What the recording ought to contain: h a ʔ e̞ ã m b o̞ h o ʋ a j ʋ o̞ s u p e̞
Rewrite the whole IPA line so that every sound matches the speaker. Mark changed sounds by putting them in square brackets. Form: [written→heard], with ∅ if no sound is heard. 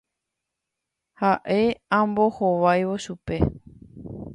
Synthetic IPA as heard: h a ʔ e̞ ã m b o̞ h o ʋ a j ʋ o̞ [s→ʃ] u p e̞